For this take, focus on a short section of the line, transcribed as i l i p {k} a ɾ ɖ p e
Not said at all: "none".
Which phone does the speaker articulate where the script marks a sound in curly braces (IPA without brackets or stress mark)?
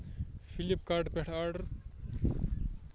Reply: k